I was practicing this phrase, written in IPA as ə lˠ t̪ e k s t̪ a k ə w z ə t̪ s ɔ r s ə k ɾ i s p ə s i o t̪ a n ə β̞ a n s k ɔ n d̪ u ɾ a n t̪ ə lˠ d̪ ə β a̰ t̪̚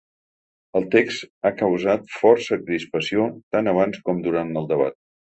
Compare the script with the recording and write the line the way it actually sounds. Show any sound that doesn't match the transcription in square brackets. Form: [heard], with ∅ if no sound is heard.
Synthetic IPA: ə lˠ t̪ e k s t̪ a k ə w z [a] t̪ [f] ɔ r s ə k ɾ i s p ə s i o t̪ a n ə β̞ a n s k ɔ [m] d̪ u ɾ a n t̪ ə lˠ d̪ ə β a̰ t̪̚

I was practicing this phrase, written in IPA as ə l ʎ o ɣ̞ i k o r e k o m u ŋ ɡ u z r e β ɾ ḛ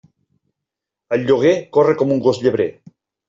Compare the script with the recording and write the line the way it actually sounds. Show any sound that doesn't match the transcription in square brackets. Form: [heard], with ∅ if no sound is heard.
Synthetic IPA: ə l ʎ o ɣ̞ [e] k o r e k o m u ŋ ɡ [o] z [ʎ] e β ɾ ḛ

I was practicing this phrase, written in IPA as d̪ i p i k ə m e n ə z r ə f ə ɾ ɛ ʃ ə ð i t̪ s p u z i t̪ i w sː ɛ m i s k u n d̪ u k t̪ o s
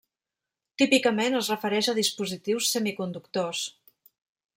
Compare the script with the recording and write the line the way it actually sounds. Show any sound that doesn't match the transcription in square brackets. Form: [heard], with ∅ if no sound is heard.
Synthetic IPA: [t̪] i p i k ə m e n ə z r ə f ə ɾ ɛ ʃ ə ð i [∅] s p u z i t̪ i w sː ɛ m i [∅] k u n d̪ u k t̪ o s

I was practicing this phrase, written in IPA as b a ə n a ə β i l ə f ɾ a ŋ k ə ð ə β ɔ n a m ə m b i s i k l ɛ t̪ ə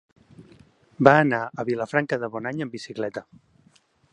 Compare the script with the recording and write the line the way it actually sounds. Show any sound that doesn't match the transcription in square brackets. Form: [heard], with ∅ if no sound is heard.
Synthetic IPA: b a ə n a ə β i l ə f ɾ a ŋ k ə ð ə β ɔ n a [ɲ] ə m b i s i k l ɛ t̪ ə

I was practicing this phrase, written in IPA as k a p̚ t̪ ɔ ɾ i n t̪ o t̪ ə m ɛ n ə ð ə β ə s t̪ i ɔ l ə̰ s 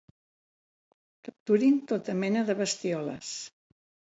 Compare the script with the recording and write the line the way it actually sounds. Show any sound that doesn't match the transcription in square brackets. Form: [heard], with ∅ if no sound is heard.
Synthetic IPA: k [ə] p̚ t̪ [u] ɾ i n t̪ o t̪ ə m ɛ n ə ð ə β ə s t̪ i ɔ l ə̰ s

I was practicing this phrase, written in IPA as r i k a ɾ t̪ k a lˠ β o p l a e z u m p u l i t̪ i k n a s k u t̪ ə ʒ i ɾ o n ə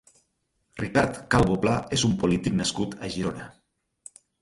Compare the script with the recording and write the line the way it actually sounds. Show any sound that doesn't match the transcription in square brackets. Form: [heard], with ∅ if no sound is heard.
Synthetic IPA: r i k a ɾ t̪ k a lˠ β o p l a e z u m p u l i t̪ i k n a s k u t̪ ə ʒ i ɾ o n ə

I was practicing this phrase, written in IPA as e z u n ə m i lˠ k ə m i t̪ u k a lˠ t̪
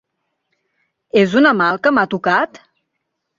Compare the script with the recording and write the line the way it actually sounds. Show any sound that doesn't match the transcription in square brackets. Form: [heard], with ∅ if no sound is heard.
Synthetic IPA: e z u n ə m [a] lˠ k ə m [a] t̪ u k a [∅] t̪

